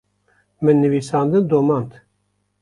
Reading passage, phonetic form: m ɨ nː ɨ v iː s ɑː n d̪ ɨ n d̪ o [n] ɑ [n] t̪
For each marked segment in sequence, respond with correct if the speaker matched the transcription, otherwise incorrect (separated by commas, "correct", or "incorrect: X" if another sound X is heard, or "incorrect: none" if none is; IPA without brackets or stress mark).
incorrect: m, correct